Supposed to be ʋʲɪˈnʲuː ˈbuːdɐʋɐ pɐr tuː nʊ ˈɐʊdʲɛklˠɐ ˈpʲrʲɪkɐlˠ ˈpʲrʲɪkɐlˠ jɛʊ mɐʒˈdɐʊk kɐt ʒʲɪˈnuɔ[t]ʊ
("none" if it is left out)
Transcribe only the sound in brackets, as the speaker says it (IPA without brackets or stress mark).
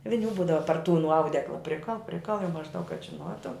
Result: t